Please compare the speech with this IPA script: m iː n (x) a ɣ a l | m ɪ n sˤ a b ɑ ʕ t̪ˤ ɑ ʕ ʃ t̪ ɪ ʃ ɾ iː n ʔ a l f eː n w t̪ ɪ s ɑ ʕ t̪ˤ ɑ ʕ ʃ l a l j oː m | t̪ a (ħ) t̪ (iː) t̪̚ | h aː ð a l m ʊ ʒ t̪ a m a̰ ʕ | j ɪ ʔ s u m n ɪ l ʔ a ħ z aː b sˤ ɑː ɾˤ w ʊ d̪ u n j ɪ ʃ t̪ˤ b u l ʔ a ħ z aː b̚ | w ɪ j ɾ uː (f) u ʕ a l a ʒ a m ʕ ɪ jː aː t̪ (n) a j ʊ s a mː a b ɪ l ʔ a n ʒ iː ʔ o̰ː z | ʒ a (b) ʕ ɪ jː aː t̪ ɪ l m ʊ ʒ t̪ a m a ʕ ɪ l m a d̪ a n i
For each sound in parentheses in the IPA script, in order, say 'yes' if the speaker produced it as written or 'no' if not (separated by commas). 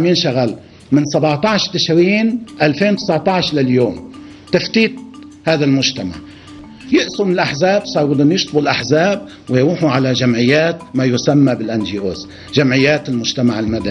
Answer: no, no, yes, no, no, no